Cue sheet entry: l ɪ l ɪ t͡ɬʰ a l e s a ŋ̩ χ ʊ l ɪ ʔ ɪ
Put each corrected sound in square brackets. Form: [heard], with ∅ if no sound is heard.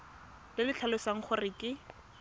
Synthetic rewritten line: l ɪ l ɪ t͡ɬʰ a l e s a ŋ̩ χ ʊ [r] ɪ [k] ɪ